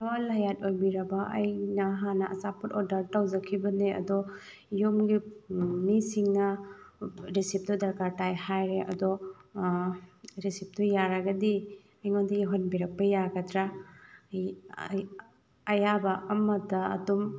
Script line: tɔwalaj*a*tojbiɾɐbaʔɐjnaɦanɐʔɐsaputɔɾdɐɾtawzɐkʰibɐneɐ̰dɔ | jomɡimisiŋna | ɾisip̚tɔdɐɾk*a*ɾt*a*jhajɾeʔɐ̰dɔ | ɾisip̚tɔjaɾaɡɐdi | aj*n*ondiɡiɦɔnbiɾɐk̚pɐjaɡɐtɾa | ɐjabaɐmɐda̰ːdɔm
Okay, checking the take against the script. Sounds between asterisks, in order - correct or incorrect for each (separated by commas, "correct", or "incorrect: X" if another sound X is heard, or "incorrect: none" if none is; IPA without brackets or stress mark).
correct, correct, correct, incorrect: ŋ